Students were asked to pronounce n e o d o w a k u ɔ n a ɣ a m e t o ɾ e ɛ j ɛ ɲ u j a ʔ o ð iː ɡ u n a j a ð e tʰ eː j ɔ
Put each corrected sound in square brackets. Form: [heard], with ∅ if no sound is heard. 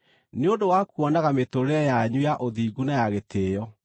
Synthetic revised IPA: n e o d o w a k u ɔ n a ɣ a m e t o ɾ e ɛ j [a] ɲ u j a ʔ o ð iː ɡ u n a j a [ɣ] e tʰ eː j ɔ